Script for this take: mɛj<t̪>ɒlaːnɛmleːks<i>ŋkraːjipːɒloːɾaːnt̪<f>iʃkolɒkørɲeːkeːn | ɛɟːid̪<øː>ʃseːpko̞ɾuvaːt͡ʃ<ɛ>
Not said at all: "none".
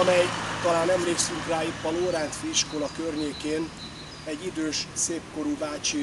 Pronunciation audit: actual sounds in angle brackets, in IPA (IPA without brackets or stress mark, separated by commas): t̪, y, f, øː, i